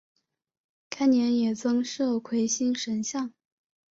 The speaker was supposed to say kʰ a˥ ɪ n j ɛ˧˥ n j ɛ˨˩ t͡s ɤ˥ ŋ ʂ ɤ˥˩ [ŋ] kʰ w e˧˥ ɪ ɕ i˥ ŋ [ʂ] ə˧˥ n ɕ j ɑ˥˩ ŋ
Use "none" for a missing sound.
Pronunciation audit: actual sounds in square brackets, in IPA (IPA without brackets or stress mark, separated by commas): none, ʂ